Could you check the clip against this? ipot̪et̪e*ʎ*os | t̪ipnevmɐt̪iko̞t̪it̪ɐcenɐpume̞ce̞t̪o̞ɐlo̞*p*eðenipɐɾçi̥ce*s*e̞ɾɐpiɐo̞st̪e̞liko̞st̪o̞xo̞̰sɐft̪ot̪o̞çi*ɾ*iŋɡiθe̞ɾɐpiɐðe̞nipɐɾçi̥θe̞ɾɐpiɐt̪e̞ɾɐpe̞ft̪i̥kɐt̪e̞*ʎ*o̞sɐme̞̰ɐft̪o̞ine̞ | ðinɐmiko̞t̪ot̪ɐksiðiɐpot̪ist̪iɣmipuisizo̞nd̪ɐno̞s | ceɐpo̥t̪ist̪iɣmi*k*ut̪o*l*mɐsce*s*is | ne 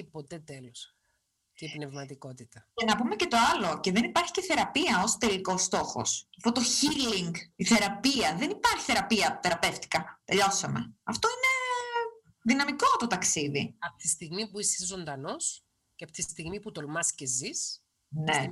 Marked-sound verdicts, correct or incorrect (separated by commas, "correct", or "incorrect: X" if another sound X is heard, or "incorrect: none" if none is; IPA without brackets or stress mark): incorrect: l, incorrect: c, incorrect: θ, incorrect: l, correct, incorrect: p, correct, incorrect: z